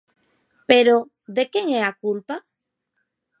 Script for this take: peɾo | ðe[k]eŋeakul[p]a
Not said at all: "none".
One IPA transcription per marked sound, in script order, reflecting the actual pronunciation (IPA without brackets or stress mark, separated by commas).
k, p